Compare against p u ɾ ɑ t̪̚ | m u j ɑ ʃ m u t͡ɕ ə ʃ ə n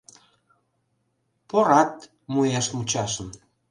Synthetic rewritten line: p o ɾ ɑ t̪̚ | m u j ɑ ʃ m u t͡ɕ ɑ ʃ ə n